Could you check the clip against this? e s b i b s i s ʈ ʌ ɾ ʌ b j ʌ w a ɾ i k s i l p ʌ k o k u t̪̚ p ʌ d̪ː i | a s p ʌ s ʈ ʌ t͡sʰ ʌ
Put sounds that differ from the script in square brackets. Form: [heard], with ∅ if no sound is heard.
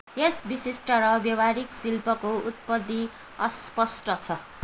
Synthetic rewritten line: e s b i [∅] s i s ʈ ʌ ɾ ʌ b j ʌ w a ɾ i k s i l p ʌ k o [∅] u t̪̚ p ʌ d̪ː i | [ʌ] s p ʌ s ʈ ʌ t͡sʰ ʌ